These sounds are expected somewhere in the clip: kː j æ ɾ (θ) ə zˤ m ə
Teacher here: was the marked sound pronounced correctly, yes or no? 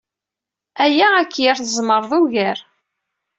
yes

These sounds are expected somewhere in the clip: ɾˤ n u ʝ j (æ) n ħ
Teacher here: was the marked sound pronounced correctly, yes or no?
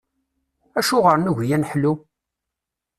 yes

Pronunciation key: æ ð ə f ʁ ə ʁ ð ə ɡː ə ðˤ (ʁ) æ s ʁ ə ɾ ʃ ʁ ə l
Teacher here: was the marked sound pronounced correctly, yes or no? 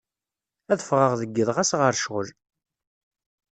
yes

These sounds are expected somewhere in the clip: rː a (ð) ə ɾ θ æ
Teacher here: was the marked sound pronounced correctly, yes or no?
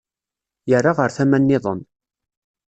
no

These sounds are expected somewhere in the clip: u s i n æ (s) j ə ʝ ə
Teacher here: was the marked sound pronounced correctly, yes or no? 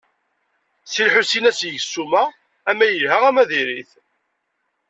yes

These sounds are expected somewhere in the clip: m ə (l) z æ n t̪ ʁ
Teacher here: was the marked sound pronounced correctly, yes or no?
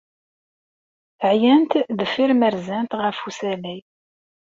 no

